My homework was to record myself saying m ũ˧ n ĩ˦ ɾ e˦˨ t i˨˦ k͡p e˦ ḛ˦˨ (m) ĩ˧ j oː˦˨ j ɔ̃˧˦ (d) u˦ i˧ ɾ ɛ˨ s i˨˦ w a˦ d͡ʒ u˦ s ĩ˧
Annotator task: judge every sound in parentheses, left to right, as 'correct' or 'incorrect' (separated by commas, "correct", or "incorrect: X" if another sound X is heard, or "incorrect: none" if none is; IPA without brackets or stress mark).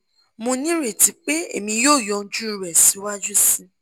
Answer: correct, incorrect: d͡ʒ